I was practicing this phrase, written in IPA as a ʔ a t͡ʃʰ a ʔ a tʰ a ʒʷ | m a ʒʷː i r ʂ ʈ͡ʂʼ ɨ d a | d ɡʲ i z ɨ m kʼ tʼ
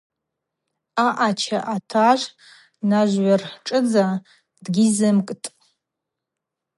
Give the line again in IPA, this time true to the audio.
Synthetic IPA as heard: a ʔ a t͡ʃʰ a ʔ a tʰ a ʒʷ | n a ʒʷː a r ħ ʈ͡ʂʼ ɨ d͡z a | d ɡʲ i z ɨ m kʼ tʼ